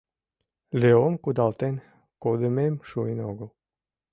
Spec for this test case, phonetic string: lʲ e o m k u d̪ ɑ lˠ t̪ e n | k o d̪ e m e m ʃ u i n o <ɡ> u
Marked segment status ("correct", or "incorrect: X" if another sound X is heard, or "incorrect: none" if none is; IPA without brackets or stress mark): correct